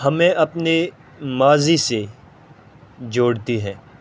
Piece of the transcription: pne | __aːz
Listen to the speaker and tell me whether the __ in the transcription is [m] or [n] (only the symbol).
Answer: m